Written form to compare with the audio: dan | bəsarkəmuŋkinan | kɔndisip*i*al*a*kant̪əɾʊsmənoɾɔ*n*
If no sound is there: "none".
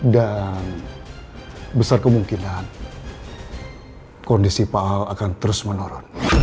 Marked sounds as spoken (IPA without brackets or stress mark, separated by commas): a, a, n